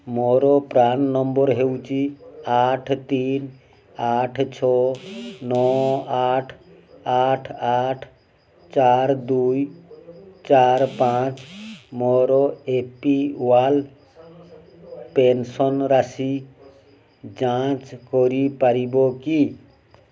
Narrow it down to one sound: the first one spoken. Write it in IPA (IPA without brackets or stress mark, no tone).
m